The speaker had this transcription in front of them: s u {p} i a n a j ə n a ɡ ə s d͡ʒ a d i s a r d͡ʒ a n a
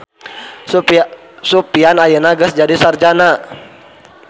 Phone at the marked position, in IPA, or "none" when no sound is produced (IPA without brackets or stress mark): p